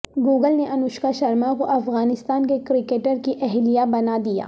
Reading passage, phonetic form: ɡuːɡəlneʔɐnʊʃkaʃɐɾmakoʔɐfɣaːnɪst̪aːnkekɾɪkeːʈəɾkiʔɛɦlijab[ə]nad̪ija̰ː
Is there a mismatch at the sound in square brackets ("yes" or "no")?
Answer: yes